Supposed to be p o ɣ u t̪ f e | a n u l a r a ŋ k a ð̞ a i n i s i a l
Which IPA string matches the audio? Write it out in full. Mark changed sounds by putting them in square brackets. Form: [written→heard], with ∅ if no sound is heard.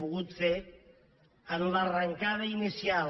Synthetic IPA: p [o→u] ɣ u t̪ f e | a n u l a r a ŋ k a ð̞ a i n i s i a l